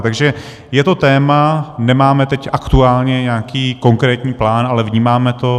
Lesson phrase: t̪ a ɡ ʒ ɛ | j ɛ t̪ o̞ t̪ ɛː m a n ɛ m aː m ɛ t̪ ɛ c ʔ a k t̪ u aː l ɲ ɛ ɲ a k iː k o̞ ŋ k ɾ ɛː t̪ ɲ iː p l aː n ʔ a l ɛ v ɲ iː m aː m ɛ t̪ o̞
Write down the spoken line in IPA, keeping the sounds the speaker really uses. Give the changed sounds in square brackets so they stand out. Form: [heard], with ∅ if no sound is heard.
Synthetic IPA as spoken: t̪ a ɡ ʒ ɛ | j ɛ t̪ o̞ t̪ ɛː m a n ɛ m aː m ɛ t̪ ɛ c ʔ a k t̪ u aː l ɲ ɛ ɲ a k iː k o̞ ŋ k ɾ ɛː t̪ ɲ iː p l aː n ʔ a l ɛ v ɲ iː m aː m ɛ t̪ o̞

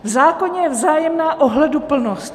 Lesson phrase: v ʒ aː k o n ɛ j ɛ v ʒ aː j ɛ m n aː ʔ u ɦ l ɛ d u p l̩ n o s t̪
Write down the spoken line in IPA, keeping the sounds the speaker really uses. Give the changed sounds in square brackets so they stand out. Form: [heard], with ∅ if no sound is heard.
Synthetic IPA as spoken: v [z] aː k o [ɲ] ɛ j ɛ v [z] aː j ɛ m n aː ʔ [o] ɦ l ɛ d u p l̩ n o s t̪

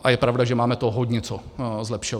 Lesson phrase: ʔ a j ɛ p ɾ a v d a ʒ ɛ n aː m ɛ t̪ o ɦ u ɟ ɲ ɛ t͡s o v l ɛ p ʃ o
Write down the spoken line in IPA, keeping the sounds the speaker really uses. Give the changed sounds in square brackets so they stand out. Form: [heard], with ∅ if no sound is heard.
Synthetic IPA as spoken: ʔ a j ɛ p ɾ a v d a ʒ ɛ [m] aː m ɛ t̪ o ɦ [o] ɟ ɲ ɛ t͡s o [z] l ɛ p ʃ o

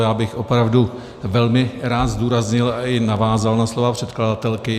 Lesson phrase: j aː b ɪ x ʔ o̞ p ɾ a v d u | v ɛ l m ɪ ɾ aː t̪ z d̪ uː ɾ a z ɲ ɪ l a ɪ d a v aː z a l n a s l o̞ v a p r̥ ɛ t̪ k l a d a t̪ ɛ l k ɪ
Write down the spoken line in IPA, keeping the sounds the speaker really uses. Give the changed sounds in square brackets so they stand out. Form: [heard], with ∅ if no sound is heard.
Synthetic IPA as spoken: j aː b ɪ x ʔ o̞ p ɾ a v d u | v ɛ l m ɪ ɾ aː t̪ z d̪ uː ɾ a z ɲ ɪ l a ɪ [n] a v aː z a l n a s l o̞ v a p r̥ ɛ t̪ k l a d a t̪ ɛ l k ɪ

